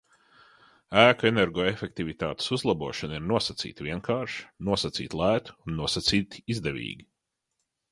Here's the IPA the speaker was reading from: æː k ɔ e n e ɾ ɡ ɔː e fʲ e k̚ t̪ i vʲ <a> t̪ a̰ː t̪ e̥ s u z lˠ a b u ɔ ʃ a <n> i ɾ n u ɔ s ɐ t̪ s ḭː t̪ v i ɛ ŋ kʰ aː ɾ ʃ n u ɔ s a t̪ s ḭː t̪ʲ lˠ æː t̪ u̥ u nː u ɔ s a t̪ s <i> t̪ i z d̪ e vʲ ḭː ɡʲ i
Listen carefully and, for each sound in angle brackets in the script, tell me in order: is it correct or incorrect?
incorrect: i, correct, incorrect: iː

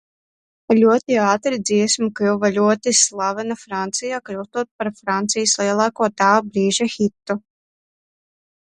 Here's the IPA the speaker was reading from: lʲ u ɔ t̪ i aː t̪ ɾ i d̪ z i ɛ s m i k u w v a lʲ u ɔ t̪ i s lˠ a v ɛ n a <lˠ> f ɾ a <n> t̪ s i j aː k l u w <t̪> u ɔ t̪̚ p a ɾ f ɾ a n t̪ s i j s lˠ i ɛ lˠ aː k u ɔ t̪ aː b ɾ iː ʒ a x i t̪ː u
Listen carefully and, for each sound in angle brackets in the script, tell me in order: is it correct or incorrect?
incorrect: none, correct, correct

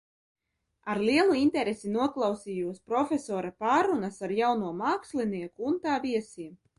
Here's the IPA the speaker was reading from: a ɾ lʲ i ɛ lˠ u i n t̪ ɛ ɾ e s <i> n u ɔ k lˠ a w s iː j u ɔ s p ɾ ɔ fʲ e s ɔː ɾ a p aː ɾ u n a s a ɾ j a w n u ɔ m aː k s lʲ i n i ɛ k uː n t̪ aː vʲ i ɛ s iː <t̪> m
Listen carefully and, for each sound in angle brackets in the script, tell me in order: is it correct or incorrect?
correct, incorrect: none

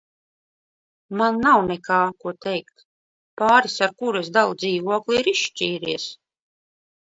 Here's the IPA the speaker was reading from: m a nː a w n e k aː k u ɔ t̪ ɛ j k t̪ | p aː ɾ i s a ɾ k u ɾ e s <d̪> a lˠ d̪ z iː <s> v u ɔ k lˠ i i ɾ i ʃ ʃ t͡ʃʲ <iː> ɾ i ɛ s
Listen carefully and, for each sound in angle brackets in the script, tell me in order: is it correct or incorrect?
correct, incorrect: none, correct

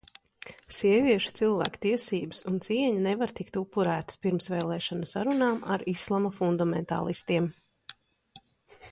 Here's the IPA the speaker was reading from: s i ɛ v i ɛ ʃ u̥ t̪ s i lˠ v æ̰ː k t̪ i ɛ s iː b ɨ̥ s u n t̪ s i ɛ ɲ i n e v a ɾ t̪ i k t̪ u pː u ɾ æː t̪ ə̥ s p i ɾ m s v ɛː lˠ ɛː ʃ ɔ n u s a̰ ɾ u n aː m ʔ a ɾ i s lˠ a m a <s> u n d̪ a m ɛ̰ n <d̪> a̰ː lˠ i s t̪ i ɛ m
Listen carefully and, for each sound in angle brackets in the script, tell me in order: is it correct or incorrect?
incorrect: f, incorrect: t̪

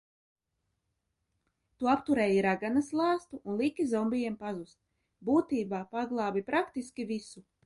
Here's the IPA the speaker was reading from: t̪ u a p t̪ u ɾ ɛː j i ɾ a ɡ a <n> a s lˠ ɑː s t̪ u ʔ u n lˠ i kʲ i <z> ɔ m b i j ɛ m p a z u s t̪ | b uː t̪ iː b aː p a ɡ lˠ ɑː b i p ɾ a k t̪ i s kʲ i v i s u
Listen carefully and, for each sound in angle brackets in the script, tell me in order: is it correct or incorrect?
correct, correct

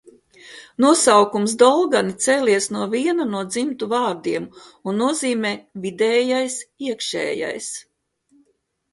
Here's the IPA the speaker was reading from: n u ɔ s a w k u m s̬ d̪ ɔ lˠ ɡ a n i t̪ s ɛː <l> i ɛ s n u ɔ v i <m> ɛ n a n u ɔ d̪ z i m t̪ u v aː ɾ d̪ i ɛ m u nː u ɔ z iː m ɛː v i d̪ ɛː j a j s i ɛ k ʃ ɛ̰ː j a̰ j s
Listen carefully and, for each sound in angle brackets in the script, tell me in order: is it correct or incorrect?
correct, incorrect: none

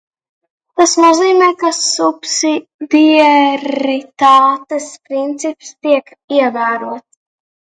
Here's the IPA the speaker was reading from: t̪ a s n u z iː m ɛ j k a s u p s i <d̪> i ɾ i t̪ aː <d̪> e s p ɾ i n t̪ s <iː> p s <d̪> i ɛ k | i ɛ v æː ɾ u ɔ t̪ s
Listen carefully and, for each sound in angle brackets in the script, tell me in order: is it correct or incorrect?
correct, incorrect: t̪, incorrect: i, incorrect: t̪

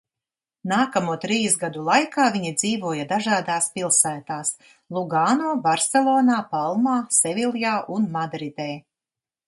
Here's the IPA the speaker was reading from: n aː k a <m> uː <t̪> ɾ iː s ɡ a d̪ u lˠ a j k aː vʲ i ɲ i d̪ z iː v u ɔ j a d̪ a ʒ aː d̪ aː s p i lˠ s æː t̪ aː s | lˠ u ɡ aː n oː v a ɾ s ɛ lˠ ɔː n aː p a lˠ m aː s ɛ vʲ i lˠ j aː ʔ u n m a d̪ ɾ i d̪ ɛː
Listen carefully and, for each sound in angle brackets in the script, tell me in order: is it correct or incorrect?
correct, correct

